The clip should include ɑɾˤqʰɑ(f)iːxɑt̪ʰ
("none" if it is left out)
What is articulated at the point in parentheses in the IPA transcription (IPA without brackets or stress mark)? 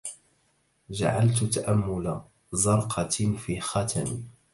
f